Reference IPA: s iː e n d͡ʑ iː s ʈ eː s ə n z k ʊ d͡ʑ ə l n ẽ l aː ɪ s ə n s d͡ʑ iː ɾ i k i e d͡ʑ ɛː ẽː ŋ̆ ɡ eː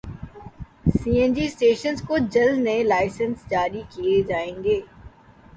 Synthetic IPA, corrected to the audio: s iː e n d͡ʑ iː s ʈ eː ʃ ə n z k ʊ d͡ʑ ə l n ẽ l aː ɪ s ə n s d͡ʑ aː ɾ i k i e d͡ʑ aː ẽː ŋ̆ ɡ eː